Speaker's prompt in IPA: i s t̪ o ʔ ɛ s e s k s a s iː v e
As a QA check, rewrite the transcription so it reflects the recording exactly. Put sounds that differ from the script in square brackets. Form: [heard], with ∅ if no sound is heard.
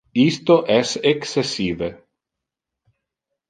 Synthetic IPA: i s t̪ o ʔ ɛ s e [∅] k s [e] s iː v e

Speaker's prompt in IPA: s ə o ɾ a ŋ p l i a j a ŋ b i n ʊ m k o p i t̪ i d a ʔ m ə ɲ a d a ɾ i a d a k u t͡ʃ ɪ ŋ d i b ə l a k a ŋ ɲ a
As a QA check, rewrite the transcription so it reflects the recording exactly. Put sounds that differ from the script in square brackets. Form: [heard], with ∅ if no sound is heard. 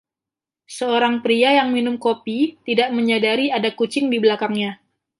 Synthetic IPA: s ə o ɾ a ŋ p [ɾ] i a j a ŋ [m] i n ʊ m k o p i t̪ i d a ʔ m ə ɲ a d a ɾ i a d a k u t͡ʃ ɪ ŋ d i b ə l a k a ŋ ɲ a

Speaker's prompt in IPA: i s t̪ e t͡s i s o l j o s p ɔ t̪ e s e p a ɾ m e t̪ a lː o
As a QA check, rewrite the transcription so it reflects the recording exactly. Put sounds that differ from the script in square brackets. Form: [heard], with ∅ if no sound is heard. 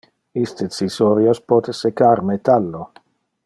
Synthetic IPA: i s t̪ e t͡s i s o [ɾ] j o s p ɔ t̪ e s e [k] a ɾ m e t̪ a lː o

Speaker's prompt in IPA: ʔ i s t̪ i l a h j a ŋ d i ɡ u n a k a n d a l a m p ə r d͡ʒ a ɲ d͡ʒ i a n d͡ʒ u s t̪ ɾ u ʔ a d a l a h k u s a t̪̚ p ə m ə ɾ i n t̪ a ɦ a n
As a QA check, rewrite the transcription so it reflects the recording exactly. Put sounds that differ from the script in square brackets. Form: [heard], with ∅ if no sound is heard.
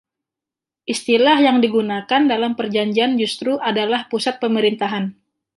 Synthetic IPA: ʔ i s t̪ i l a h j a ŋ d i ɡ u n a k a n d a l a m p ə r d͡ʒ a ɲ d͡ʒ i a n d͡ʒ u s t̪ ɾ u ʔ a d a l a h [p] u s a t̪̚ p ə m ə ɾ i n t̪ a ɦ a n

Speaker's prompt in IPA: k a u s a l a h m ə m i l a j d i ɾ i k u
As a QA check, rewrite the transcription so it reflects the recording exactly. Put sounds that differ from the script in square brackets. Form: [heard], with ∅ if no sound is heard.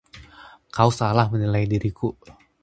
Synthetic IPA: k a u s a l a h m ə [n] i l a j d i ɾ i k u

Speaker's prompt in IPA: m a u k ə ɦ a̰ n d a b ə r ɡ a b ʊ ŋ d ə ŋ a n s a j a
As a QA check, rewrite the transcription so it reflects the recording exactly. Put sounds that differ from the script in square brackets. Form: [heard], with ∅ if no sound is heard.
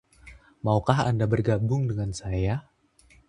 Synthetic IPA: m a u k [a] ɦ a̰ n d a b ə r ɡ a b ʊ ŋ d ə ŋ a n s a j a

